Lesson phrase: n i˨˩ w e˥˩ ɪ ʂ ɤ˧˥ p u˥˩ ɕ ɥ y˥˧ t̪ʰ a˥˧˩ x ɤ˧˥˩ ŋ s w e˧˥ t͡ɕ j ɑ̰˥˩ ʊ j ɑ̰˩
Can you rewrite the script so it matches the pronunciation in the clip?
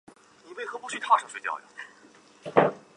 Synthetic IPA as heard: n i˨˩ w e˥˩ ɪ x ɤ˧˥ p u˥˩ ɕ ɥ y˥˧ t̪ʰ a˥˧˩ ʂ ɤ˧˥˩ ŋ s w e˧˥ t͡ɕ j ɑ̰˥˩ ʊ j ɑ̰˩